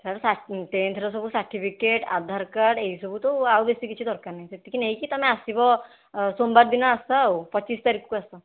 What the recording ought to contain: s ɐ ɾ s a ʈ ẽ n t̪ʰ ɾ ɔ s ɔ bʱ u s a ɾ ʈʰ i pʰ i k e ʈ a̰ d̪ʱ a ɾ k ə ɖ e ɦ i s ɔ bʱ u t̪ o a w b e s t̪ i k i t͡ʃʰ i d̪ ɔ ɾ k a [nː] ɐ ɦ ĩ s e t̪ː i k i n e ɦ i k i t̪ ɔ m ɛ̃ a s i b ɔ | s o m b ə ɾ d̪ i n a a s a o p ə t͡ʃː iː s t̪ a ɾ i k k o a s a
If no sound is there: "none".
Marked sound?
n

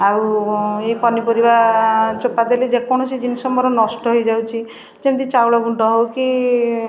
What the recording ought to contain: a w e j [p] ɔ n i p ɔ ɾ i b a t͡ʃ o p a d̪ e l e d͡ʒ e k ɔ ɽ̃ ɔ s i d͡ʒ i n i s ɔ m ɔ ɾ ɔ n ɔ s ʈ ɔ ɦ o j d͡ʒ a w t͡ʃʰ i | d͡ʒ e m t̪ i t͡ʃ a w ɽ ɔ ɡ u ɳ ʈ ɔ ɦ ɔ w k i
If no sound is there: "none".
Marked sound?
p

